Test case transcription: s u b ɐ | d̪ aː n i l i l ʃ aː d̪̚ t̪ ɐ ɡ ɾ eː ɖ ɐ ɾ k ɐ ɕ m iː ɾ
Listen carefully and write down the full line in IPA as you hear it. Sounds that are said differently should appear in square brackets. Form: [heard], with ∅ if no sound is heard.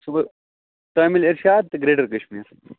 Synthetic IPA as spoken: s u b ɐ | [t̪] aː [m] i l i [ɾ] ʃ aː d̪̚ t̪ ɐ ɡ ɾ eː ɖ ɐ ɾ k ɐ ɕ m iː ɾ